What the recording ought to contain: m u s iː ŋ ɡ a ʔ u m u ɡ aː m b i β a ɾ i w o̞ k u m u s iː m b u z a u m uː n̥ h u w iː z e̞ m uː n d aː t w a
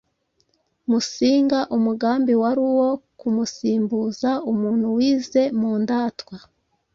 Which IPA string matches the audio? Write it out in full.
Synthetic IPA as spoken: m u s iː ŋ ɡ a ʔ u m u ɡ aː m b i w a ɾ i w o̞ k u m u s iː m b u z a u m uː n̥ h u w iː z e̞ m uː n d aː t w a